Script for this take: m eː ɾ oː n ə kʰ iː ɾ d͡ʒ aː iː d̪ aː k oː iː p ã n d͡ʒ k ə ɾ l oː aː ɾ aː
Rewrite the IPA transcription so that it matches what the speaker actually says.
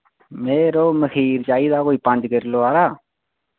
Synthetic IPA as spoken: m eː ɾ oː m ə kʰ iː ɾ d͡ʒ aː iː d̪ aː k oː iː p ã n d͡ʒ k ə ɾ l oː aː ɾ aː